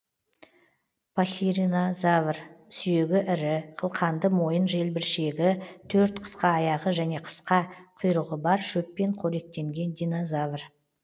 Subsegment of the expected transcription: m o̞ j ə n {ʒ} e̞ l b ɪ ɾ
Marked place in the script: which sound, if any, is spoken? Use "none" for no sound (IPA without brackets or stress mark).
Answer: ʒ